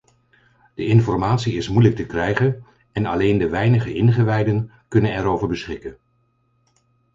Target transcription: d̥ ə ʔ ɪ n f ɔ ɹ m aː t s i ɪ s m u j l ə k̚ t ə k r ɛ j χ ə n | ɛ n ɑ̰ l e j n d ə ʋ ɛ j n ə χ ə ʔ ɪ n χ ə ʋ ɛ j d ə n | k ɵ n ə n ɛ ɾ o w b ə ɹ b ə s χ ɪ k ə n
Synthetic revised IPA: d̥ ə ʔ ɪ n f ɔ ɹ m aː t s i ɪ s m u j l ə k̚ t ə k r ɛ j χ ə n | ɛ n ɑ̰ l e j n d ə ʋ ɛ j n ə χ ə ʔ ɪ n χ ə ʋ ɛ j d ə n | k ɵ n ə n ɛ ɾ o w v ə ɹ b ə s χ ɪ k ə n